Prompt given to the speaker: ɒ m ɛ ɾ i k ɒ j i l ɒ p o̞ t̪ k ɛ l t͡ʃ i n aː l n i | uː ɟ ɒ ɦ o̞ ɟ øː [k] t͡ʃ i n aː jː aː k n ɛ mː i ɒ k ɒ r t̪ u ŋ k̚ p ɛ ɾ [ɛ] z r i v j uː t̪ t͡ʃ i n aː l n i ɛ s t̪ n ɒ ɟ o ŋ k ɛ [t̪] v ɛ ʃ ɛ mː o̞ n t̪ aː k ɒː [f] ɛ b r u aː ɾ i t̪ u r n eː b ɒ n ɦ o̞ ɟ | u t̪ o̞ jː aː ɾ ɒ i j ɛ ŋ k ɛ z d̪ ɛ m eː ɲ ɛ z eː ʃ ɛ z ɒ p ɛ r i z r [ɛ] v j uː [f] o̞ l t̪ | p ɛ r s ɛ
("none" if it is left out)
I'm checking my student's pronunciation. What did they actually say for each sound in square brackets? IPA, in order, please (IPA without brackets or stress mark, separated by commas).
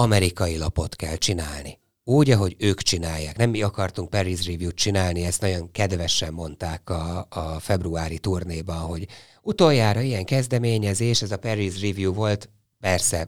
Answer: k, i, d̪, f, i, v